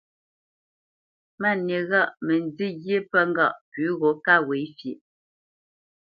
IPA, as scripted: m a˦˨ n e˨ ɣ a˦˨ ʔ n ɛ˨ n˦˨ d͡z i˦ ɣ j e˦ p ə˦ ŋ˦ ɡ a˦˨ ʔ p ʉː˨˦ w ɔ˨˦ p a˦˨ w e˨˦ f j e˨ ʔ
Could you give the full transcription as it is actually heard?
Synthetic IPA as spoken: m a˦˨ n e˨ ɣ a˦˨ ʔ m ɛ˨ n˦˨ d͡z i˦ ɣ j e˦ p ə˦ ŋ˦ ɡ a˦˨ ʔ p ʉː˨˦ ɣ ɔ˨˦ k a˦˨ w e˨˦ f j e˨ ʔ